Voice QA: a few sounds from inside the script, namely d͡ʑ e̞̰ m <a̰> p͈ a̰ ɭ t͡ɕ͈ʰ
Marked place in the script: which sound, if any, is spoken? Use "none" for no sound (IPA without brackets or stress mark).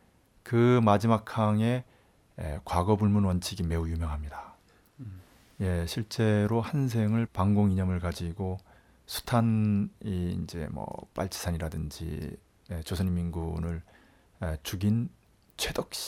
ʌ̰